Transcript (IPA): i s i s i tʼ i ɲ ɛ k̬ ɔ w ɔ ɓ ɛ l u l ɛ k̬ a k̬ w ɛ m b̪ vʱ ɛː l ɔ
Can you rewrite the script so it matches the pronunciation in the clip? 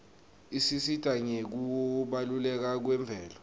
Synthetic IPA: i s i s i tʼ a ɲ e k̬ u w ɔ ɓ a l u l ɛ k̬ a k̬ w ɛ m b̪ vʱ ɛː l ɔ